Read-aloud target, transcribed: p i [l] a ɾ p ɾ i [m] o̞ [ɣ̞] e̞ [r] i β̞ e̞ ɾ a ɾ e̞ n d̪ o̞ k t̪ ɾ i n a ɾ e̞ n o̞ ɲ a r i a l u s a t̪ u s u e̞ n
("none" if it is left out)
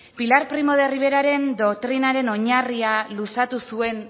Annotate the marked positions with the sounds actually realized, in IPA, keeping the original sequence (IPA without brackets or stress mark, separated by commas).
l, m, ð̞, r